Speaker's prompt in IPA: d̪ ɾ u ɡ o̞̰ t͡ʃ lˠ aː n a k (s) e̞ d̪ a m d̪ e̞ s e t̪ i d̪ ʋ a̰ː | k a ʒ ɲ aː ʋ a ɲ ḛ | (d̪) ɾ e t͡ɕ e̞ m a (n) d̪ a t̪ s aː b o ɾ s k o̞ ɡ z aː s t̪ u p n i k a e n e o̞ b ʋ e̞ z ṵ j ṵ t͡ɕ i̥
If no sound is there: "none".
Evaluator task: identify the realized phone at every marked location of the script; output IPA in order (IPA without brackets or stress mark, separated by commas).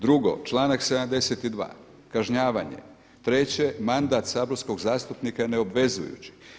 s, t̪, n